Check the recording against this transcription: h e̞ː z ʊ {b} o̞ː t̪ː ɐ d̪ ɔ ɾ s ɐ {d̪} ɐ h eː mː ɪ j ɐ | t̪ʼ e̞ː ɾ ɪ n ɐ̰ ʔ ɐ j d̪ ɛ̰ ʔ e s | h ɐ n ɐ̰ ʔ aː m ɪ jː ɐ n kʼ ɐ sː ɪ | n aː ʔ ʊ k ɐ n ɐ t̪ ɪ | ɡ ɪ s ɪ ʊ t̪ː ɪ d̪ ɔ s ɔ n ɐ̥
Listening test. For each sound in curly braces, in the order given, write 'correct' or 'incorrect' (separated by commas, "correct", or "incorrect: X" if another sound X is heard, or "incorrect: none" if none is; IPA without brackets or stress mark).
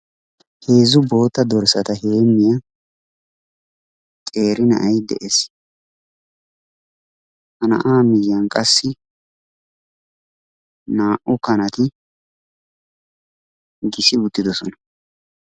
correct, incorrect: t̪